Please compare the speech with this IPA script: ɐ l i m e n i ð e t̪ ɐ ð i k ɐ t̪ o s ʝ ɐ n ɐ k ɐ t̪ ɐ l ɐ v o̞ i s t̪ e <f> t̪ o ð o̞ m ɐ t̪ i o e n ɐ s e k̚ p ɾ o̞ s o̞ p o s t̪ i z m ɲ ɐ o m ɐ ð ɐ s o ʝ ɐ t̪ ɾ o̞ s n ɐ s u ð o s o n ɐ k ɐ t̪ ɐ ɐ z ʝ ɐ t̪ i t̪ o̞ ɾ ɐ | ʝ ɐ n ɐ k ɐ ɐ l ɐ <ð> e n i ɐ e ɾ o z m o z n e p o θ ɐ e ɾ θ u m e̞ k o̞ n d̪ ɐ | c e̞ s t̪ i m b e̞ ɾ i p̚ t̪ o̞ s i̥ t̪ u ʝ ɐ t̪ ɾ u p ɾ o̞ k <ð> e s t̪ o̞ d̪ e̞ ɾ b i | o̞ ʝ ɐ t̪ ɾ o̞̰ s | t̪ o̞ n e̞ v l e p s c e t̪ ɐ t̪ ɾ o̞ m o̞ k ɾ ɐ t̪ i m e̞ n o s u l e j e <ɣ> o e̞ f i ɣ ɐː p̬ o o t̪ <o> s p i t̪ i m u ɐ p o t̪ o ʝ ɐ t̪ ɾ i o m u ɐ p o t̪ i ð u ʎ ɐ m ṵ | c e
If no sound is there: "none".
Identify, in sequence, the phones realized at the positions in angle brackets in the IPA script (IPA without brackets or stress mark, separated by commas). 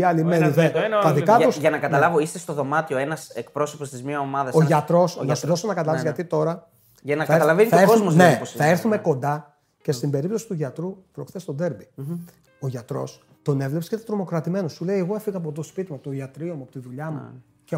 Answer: s, v, θ, ɣ, o